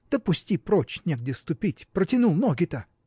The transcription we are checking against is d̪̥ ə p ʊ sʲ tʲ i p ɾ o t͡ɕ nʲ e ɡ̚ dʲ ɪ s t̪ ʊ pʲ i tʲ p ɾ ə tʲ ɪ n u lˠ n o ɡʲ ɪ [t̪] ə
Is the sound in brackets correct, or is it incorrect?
correct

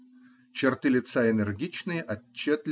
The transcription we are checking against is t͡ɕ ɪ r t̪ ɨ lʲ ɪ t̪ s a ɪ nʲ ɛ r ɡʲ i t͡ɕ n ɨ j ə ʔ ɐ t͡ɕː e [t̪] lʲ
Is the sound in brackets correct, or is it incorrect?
correct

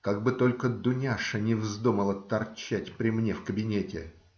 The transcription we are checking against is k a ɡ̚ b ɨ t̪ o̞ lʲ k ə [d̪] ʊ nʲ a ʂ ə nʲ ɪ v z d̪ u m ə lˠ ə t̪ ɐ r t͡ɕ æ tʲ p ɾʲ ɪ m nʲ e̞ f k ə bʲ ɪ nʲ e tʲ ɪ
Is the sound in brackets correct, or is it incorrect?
correct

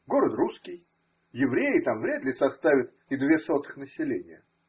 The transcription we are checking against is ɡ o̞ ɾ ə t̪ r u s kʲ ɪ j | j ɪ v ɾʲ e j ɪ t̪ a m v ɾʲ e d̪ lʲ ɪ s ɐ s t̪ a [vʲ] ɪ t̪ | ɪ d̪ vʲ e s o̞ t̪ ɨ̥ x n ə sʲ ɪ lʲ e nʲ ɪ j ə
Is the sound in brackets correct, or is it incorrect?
correct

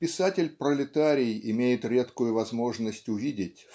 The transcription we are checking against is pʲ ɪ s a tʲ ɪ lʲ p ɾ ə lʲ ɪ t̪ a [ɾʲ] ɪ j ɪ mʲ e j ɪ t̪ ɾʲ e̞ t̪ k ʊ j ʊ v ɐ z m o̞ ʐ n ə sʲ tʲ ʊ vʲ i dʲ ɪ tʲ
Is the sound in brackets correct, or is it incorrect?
correct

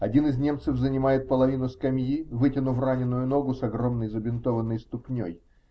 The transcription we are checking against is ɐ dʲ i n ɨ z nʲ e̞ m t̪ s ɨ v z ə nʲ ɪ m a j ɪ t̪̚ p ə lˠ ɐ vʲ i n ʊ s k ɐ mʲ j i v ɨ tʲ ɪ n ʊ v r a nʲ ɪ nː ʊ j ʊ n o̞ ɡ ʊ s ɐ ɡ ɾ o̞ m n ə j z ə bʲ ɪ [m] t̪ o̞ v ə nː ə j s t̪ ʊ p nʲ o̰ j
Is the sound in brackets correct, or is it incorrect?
incorrect: n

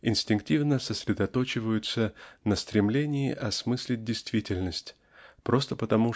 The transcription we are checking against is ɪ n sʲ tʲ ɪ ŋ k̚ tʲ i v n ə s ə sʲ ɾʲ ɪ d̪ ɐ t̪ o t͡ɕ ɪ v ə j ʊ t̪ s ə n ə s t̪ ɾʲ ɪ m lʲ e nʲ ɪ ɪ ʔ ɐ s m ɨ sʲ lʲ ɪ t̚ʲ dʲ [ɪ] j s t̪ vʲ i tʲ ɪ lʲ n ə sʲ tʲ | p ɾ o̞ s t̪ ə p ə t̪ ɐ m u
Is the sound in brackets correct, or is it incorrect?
correct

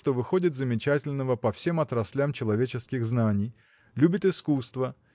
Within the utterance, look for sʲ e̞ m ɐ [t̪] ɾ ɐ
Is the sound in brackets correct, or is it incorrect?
correct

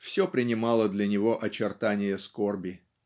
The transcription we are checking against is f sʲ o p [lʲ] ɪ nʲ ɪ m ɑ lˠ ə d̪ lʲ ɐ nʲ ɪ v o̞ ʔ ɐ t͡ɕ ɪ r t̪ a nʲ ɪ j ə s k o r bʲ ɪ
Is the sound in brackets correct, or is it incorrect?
incorrect: ɾʲ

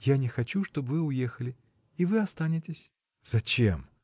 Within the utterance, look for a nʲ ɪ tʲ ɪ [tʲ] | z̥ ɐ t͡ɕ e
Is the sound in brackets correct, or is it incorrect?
incorrect: sʲ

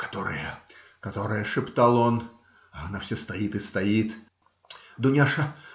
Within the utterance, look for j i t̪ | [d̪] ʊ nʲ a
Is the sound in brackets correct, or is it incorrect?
correct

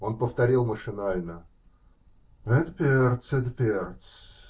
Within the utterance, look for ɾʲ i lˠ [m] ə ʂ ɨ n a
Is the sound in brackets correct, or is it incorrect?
correct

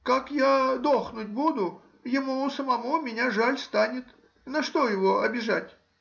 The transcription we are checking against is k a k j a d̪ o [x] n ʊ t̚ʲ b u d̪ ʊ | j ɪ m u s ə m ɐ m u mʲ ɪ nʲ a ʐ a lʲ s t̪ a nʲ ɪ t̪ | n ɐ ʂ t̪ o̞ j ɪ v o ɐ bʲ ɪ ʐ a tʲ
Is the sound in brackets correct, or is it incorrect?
correct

